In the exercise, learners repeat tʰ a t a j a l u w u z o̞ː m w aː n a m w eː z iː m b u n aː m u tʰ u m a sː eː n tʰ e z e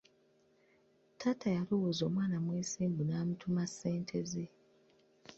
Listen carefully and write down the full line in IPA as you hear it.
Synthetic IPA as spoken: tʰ a t a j a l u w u z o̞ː m w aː n a m w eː s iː m b u n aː m u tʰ u m a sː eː n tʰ e z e